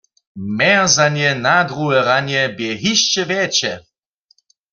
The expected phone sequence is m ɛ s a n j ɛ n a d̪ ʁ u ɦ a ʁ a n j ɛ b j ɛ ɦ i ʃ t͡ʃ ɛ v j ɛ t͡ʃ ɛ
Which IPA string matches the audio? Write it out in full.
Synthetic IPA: m ɛ z a n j ɛ n a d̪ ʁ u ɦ ɛ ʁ a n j ɛ b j ɛ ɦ i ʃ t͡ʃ ɛ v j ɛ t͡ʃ ɛ